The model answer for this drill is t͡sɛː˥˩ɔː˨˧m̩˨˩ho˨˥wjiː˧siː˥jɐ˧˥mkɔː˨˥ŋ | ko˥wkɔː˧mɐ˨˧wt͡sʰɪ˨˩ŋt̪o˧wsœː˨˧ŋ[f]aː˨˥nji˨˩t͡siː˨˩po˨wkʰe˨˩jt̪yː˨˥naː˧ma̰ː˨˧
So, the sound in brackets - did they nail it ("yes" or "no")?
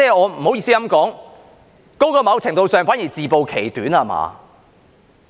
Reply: yes